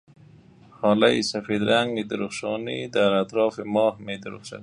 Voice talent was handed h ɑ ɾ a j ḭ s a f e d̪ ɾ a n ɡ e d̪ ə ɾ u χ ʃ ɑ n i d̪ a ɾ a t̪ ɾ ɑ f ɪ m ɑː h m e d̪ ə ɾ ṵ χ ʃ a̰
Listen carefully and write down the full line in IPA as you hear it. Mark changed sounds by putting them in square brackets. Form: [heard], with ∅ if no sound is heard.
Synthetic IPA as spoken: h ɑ [l] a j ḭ s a f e d̪ ɾ a [ŋ] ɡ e d̪ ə ɾ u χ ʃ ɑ n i d̪ a ɾ a t̪ ɾ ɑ f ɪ m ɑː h m e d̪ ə ɾ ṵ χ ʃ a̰